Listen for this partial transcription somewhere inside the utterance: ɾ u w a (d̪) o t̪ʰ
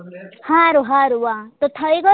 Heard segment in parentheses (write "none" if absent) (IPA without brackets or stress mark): t̪